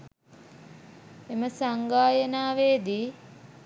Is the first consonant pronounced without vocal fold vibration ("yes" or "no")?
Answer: no